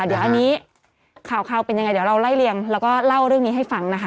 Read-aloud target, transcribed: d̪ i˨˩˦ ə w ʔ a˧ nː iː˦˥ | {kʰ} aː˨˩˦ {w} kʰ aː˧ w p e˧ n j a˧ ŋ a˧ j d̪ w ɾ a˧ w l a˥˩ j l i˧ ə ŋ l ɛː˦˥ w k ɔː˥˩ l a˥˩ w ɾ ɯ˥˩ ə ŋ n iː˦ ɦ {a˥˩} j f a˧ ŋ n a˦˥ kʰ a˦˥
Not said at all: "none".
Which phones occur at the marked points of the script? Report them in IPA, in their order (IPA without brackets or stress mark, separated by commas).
kʰ, w, a˥˩